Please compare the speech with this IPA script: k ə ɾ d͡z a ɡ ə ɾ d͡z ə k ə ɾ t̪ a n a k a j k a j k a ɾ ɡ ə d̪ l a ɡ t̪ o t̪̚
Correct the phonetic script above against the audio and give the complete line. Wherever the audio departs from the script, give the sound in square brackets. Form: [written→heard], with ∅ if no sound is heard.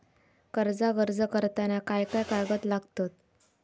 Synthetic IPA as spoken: k ə ɾ d͡z a ɡ ə ɾ d͡z ə k ə ɾ t̪ a n a k a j k a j k a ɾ ɡ ə [d̪→t̪] l a ɡ t̪ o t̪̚